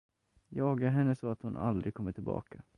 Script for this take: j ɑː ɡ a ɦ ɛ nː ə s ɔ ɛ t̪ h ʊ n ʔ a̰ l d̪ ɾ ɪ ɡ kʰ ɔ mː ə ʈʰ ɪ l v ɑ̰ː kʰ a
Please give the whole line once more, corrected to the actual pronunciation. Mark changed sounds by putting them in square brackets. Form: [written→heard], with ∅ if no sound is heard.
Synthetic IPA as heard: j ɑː ɡ a ɦ ɛ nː ə s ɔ [ɛ→a] t̪ h ʊ n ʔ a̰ l d̪ ɾ ɪ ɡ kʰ ɔ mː ə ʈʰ ɪ l [v→b] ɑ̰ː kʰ a